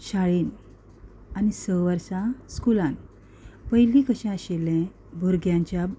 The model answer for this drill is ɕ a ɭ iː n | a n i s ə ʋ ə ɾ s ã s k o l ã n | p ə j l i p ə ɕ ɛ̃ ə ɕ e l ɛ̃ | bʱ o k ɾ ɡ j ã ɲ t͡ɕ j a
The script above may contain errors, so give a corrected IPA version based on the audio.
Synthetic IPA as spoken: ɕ a ɭ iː n | a n i s ə ʋ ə ɾ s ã s k u l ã n | p ə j l i k ə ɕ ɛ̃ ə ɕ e l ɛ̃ | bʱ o ɾ ɡ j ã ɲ t͡ɕ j a